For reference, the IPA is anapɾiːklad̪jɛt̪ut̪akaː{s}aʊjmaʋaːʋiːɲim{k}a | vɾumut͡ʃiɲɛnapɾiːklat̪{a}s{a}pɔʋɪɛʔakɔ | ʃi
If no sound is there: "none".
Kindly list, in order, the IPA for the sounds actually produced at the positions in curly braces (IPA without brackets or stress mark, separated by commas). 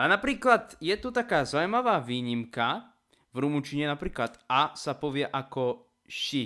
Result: z, k, a, a